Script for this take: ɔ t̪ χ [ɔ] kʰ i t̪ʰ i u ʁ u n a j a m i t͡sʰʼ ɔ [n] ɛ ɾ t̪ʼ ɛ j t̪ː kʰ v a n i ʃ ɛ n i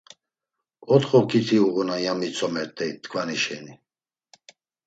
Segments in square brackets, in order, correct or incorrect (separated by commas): correct, incorrect